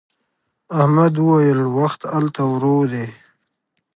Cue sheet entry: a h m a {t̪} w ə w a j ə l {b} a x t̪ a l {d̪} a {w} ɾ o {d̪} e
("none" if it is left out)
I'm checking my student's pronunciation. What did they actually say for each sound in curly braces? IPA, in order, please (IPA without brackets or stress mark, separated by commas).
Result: d̪, w, t̪, w, d̪